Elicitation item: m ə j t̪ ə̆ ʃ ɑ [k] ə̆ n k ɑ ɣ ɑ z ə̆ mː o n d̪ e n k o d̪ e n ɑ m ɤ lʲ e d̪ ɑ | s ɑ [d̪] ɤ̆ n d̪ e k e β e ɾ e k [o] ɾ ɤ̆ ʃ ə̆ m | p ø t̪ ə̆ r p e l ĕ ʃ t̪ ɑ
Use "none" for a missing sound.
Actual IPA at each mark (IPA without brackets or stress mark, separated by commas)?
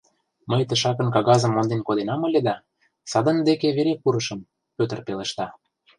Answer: k, d̪, u